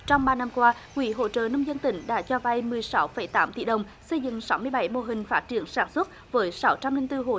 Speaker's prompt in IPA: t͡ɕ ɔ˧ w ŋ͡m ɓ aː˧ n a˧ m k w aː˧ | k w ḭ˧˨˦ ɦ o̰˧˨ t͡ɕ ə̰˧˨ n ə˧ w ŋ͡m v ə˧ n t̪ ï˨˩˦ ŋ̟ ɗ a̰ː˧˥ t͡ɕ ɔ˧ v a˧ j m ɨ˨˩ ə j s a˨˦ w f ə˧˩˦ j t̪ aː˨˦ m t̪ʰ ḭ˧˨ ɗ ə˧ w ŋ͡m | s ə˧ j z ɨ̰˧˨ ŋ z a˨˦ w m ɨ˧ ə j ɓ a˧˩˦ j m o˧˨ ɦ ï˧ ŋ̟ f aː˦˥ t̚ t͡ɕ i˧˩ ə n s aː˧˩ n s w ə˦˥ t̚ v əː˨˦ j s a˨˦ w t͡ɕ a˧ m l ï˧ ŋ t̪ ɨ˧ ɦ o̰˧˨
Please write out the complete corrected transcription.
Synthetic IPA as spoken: t͡ɕ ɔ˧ w ŋ͡m ɓ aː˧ n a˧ m k w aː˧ | k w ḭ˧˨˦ ɦ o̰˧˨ t͡ɕ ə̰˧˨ n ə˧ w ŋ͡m z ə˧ n t̪ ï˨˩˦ ŋ̟ ɗ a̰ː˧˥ t͡ɕ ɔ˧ v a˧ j m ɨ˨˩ ə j s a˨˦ w f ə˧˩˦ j t̪ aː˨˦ m t̪ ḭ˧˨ ɗ ə˨˩ w ŋ͡m | s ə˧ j z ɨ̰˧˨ ŋ s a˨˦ w m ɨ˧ ə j ɓ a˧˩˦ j m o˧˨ ɦ ï˨˩ ŋ̟ f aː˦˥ t̚ t͡ɕ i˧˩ ə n s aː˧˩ n s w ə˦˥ t̚ v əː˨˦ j s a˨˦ w t͡ɕ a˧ m l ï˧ ŋ t̪ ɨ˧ ɦ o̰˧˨

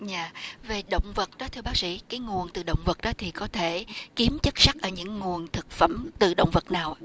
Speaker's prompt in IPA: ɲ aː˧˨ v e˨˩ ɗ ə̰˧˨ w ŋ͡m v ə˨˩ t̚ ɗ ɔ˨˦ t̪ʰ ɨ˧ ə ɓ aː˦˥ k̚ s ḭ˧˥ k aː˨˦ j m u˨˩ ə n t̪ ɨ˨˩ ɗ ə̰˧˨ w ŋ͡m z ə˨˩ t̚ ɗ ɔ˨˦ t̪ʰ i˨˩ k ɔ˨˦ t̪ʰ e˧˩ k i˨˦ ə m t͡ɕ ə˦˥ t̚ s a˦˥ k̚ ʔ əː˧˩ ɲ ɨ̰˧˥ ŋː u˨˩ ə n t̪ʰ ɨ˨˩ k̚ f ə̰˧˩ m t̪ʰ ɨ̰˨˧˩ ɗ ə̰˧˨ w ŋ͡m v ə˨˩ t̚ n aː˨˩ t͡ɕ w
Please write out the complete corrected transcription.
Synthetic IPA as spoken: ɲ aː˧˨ v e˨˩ ɗ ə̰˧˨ w ŋ͡m v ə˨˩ t̚ ɗ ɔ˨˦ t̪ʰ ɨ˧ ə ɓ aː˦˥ k̚ s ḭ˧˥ k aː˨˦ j ŋ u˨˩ ə n t̪ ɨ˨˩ ɗ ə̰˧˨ w ŋ͡m v ə˨˩ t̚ ɗ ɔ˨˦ t̪ʰ i˨˩ k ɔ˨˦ t̪ʰ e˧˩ k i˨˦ ə m t͡ɕ ə˦˥ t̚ s a˦˥ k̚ ʔ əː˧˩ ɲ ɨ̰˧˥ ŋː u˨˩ ə n t̪ʰ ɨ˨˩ k̚ f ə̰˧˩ m t̪ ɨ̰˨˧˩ ɗ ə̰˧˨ w ŋ͡m v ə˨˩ t̚ n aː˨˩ w

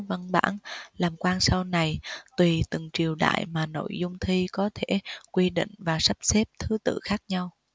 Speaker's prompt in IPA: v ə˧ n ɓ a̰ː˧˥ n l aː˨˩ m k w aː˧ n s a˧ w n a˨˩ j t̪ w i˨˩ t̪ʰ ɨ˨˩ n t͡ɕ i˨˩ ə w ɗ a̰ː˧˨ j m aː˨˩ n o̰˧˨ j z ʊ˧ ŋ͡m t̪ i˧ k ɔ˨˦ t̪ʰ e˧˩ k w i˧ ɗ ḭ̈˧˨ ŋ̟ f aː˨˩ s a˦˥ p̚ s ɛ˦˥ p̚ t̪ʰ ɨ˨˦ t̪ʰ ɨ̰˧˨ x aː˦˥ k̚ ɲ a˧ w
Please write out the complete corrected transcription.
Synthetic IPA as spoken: v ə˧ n ɓ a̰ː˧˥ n l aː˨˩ m k w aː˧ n s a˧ w n a˨˩ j t̪ w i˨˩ t̪ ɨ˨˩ ŋ t͡ɕ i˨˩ ə w ɗ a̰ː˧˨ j m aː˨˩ n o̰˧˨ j z ʊ˧ ŋ͡m t̪ʰ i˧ k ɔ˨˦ t̪ʰ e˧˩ k w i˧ ɗ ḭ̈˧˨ ŋ̟ v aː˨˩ s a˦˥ p̚ s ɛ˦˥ p̚ t̪ʰ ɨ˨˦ t̪ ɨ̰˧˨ x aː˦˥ k̚ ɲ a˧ w

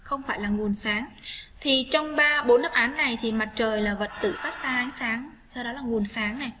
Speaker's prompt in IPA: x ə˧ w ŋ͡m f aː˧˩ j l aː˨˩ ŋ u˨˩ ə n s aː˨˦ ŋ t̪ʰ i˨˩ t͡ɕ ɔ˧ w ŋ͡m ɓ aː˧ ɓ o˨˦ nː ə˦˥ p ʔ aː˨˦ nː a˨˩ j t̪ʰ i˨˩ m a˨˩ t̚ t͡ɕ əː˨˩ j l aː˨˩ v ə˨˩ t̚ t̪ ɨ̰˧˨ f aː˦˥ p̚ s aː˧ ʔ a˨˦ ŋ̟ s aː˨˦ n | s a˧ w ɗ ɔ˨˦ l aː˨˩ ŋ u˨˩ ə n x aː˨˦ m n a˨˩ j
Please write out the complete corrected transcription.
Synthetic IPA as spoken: x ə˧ w ŋ͡m f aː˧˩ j l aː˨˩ ŋ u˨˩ ə n s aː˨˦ ŋ t̪ʰ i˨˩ t͡ɕ ɔ˧ w ŋ͡m ɓ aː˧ ɓ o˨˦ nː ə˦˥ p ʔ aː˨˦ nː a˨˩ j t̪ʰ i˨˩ m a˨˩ t̚ t͡ɕ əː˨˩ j l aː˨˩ v ə˨˩ t̚ t̪ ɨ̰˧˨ f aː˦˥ t̚ s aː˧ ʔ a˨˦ ŋ̟ s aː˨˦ ŋ | s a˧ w ɗ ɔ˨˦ l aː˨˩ ŋ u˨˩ ə n s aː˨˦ ŋ n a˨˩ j

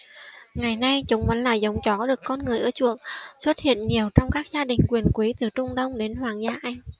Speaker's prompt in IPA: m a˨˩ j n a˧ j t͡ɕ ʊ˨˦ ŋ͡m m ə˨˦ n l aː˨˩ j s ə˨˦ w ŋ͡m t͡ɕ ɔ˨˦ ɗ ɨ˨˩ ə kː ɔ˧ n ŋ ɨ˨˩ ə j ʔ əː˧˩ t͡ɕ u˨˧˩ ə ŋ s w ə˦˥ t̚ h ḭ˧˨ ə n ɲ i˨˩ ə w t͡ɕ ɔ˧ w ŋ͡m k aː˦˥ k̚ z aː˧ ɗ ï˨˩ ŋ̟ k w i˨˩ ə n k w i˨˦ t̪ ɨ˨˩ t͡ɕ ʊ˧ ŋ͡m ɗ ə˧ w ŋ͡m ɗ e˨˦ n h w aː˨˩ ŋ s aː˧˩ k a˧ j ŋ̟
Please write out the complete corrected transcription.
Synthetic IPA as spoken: ŋ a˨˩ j n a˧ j t͡ɕ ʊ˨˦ ŋ͡m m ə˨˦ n l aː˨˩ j z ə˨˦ w ŋ͡m t͡ɕ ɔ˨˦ ɗ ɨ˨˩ ə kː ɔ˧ n ŋ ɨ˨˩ ə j ʔ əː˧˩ t͡ɕ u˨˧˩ ə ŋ s w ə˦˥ t̚ h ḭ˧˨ ə n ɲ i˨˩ ə w t͡ɕ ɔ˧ w ŋ͡m k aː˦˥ k̚ z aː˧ ɗ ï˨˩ ŋ̟ k w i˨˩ ə n k w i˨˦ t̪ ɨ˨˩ t͡ɕ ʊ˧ ŋ͡m ɗ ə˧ w ŋ͡m ɗ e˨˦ n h w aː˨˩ ŋ z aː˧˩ ʔ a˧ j ŋ̟

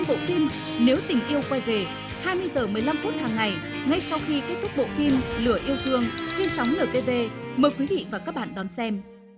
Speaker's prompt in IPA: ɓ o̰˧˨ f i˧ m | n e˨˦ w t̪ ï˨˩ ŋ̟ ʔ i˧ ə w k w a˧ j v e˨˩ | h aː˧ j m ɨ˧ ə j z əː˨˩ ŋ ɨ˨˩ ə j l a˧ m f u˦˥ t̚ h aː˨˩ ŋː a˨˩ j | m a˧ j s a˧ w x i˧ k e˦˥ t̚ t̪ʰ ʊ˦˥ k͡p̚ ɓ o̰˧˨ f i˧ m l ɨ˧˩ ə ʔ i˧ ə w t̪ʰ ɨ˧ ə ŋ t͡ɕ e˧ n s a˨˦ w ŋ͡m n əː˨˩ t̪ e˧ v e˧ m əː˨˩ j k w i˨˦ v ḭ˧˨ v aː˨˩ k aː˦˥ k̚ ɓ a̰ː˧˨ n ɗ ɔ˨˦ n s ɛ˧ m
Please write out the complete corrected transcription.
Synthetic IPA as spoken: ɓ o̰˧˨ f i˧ m | n e˨˦ w t̪ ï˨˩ ŋ̟ ʔ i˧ ə w k w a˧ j v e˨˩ | h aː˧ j m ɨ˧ ə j z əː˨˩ m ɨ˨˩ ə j l a˧ m f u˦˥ t̚ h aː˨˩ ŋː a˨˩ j | ŋ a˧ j s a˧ w x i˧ k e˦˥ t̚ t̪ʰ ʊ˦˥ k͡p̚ ɓ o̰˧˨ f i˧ m l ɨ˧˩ ə ʔ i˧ ə w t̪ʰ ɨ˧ ə ŋ t͡ɕ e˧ n s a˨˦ w ŋ͡m n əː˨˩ t̪ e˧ v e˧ m əː˨˩ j k w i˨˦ v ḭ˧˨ v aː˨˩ k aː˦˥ k̚ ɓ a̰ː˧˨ n ɗ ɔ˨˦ n s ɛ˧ m

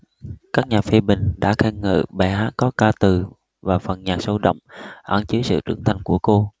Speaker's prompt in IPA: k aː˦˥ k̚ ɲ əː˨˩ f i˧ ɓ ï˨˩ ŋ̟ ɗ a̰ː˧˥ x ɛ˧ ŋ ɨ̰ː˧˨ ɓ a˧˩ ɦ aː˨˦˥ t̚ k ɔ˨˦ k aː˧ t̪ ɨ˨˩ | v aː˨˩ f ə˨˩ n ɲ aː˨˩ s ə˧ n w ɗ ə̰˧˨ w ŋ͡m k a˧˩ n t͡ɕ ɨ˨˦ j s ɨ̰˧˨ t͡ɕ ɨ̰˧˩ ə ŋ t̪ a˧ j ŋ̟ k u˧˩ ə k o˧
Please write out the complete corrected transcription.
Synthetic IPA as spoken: k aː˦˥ k̚ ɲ aː˨˩ f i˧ ɓ ï˨˩ ŋ̟ ɗ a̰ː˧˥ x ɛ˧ ŋ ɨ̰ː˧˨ ɓ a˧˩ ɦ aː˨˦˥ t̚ k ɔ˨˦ k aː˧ t̪ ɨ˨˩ | v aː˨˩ f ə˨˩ n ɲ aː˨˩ s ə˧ w ɗ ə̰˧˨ w ŋ͡m ʔ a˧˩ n t͡ɕ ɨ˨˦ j s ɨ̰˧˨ t͡ɕ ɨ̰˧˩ ə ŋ t̪ʰ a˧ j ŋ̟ k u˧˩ ə k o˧

